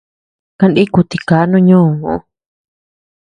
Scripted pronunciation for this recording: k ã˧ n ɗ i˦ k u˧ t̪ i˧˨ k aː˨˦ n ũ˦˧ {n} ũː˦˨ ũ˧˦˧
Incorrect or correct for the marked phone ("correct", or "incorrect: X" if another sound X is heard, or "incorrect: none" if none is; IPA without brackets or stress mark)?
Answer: incorrect: ɲ